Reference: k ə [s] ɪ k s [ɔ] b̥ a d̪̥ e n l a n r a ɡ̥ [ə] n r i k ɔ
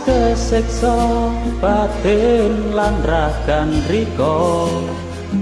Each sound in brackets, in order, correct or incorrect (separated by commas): correct, correct, incorrect